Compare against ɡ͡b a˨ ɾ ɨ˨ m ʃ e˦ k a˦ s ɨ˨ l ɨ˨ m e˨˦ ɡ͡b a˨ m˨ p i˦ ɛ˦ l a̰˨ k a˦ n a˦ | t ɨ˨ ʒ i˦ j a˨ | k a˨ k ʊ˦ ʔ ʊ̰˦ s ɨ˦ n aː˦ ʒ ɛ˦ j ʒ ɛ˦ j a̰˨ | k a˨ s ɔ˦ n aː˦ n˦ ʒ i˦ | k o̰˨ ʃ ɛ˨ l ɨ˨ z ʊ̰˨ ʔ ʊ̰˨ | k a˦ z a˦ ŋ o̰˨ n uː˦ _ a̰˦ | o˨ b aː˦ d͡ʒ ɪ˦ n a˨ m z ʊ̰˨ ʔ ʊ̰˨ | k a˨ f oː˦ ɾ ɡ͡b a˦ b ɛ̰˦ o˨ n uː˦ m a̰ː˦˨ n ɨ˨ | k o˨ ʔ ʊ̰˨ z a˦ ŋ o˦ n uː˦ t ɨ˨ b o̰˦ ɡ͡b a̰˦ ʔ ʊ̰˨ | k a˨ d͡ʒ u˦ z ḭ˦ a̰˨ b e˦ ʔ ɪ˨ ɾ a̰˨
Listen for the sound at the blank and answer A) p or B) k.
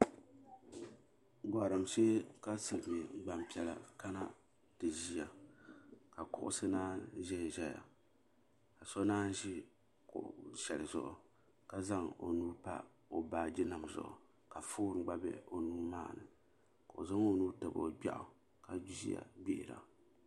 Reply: A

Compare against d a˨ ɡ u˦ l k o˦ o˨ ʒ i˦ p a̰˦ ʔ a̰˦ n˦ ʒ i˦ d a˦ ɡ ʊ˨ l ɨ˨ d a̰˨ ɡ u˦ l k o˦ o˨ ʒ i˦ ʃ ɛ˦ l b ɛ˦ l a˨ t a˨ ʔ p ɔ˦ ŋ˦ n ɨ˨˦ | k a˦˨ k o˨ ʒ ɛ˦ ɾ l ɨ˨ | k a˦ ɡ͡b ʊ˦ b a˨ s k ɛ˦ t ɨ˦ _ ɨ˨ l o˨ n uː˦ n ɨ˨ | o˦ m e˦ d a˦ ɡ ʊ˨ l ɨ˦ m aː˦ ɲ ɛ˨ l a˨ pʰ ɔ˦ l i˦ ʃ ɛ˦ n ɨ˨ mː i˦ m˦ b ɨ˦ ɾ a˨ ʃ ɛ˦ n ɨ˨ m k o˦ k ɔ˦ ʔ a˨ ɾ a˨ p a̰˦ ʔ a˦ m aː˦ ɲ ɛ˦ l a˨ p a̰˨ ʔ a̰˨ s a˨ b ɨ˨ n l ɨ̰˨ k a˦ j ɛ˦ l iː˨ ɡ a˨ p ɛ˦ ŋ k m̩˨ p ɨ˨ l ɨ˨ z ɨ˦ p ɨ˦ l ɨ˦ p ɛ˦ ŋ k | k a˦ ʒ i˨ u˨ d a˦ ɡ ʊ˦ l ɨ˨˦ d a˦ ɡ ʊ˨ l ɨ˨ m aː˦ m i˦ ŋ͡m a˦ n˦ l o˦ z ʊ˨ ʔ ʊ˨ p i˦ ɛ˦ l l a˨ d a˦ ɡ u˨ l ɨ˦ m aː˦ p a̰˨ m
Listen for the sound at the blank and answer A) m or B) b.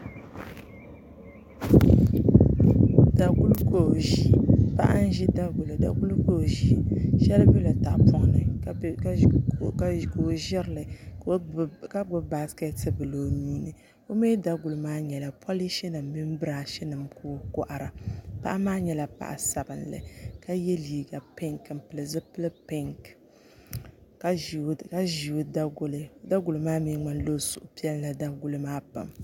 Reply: B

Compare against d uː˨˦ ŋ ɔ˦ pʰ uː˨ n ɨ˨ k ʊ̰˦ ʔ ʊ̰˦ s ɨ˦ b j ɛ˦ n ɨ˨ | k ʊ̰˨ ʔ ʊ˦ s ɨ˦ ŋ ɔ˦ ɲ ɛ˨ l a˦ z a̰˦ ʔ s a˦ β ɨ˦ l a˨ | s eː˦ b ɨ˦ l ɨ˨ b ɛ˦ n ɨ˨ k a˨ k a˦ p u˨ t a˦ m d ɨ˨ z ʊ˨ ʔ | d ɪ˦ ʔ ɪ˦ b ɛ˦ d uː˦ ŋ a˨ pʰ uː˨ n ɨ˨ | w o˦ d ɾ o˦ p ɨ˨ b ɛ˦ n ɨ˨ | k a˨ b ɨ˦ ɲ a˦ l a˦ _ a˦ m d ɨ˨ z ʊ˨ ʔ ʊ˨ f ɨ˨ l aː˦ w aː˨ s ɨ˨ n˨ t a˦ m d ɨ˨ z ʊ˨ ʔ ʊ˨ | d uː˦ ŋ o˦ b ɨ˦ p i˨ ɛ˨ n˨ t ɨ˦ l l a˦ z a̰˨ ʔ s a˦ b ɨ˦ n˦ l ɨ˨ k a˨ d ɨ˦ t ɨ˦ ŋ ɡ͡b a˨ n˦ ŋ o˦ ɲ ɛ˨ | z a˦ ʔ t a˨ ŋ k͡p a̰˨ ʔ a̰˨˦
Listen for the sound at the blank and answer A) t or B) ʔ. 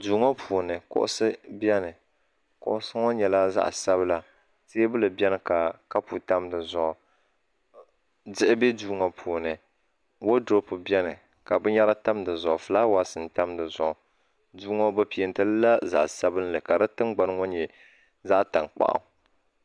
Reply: A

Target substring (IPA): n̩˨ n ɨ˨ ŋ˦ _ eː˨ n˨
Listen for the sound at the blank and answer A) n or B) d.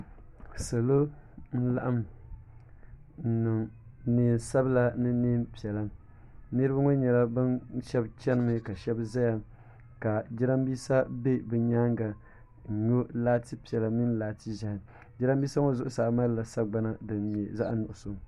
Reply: A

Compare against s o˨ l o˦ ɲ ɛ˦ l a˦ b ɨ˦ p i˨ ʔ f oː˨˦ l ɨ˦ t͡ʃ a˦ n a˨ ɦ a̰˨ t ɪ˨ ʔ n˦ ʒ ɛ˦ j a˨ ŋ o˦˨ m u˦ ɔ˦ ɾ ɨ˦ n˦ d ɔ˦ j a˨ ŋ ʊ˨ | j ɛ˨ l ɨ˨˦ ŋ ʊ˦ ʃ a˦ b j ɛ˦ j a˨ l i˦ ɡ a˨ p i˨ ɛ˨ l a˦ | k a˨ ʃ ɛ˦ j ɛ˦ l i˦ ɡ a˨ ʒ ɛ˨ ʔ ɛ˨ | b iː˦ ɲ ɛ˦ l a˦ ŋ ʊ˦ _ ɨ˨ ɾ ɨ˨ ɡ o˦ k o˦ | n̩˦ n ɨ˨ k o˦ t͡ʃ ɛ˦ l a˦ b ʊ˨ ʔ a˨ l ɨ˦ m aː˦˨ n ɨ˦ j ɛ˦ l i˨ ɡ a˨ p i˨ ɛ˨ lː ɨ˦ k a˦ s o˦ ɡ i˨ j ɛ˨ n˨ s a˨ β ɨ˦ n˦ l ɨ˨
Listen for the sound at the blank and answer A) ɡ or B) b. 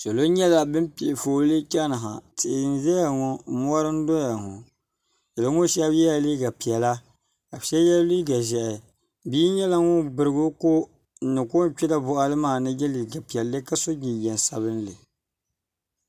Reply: B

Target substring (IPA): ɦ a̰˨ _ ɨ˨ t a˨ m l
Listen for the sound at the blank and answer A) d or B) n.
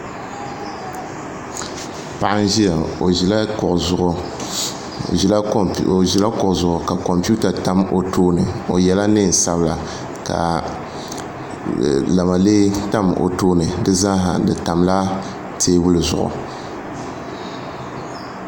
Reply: A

